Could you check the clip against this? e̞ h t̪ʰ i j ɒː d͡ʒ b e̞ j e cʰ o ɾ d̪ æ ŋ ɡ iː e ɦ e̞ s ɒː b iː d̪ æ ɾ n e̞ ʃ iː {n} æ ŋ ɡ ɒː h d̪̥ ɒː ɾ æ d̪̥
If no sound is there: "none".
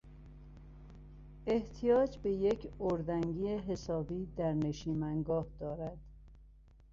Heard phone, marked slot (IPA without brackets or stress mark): m